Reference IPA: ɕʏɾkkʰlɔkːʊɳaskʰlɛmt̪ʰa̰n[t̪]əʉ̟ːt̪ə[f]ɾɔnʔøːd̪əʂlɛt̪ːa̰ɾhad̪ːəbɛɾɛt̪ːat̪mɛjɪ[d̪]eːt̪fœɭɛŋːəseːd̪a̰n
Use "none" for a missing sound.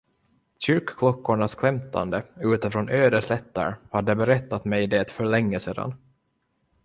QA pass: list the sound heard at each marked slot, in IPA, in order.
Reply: d̪, f, d̪

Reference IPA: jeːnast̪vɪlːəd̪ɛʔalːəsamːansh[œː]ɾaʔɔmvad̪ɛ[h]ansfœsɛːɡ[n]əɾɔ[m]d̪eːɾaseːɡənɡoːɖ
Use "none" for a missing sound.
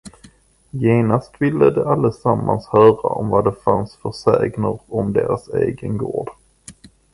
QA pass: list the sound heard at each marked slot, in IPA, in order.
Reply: œː, f, n, m

